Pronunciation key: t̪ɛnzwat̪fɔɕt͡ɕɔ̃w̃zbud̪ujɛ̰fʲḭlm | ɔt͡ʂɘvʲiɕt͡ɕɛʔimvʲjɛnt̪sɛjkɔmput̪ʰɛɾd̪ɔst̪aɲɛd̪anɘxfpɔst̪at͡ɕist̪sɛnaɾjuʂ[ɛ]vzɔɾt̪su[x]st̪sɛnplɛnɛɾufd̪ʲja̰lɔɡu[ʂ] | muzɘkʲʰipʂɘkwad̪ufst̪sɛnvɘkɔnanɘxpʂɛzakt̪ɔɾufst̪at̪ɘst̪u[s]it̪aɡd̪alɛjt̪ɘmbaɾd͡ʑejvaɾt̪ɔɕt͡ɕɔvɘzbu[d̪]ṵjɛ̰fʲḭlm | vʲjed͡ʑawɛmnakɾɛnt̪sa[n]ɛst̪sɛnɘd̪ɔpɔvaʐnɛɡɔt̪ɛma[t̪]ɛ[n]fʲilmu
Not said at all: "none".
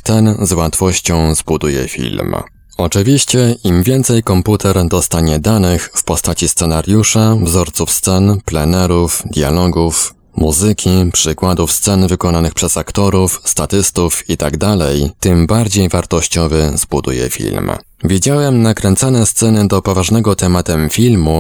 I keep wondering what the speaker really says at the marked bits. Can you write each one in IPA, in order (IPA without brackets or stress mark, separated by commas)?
a, f, f, f, d̪, n, t̪, m